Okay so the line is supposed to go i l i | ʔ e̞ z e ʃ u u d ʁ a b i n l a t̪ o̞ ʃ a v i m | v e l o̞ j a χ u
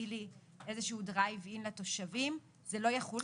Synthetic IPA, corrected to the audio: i l i | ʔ e̞ z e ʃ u u d ʁ a v i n l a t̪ o̞ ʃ a v i m | z e l o̞ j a χ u